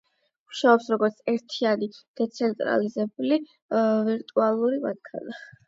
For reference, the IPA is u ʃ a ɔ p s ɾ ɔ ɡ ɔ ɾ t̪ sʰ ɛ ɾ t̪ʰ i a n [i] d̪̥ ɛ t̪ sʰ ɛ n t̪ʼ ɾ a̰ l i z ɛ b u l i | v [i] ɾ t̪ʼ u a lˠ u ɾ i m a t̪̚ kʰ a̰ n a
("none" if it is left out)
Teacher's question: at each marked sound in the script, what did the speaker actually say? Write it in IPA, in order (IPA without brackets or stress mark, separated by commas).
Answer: i, i